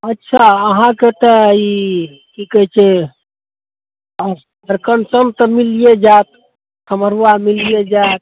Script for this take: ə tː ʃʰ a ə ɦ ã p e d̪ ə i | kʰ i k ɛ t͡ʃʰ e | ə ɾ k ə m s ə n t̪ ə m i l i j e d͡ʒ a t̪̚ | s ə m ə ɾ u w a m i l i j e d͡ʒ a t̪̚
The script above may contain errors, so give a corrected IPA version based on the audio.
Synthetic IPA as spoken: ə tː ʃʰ a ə ɦ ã k e t̪ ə i | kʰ i k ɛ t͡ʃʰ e | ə ɾ k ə n s ə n t̪ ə m i l i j e d͡ʒ a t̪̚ | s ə m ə ɾ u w a m i l i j e d͡ʒ a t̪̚